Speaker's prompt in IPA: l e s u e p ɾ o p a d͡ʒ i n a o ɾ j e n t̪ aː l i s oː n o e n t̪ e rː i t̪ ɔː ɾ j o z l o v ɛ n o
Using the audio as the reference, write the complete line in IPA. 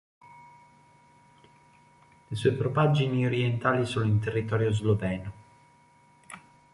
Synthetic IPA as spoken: l e s u e p ɾ o p a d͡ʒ i n i o ɾ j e n t̪ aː l i s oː n o i n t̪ e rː i t̪ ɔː ɾ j o z l o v ɛ n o